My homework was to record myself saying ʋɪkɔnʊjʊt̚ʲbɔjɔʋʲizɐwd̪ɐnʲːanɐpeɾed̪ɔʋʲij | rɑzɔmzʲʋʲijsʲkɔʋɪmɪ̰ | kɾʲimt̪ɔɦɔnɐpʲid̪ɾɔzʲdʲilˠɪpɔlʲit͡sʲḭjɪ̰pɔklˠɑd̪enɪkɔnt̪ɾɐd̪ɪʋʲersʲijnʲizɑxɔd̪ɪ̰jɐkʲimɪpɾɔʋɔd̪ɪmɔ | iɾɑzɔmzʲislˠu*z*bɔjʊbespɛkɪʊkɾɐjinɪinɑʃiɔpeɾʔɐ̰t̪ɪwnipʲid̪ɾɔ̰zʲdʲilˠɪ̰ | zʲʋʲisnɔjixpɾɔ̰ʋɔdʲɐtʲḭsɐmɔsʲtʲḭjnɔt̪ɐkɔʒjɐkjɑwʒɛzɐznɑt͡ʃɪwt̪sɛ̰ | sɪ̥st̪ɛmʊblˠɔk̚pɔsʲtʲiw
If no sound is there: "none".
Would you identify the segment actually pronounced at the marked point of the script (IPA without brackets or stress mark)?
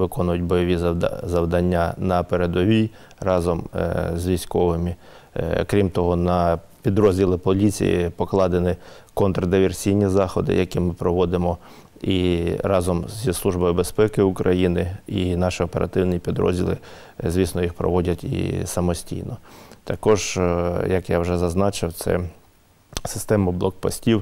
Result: ʒ